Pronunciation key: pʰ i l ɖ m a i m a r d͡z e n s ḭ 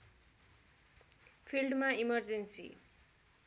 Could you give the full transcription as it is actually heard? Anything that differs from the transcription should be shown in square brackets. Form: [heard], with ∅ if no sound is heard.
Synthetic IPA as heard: pʰ i l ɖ m a i m [ʌ] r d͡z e n s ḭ